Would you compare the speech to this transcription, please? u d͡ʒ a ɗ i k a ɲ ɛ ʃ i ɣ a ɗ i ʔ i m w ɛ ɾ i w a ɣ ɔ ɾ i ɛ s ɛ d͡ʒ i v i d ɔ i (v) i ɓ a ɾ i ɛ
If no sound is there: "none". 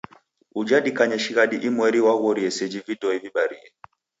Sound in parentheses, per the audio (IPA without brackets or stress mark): v